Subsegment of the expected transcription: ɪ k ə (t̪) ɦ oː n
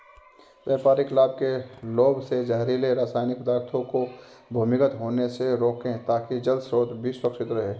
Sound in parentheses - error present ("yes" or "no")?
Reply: no